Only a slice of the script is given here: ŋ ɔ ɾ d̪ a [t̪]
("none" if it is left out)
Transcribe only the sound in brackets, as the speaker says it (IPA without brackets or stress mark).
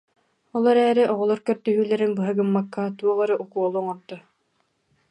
none